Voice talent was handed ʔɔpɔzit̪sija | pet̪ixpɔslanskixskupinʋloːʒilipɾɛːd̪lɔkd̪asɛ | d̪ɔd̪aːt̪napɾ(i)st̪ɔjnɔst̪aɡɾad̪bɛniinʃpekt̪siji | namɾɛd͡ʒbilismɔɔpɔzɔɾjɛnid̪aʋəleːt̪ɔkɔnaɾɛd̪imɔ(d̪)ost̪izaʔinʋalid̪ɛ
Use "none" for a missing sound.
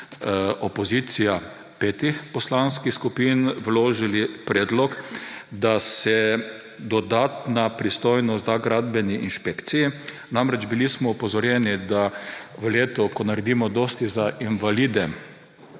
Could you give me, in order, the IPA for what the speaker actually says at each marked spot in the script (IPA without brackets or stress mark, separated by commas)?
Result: i, d̪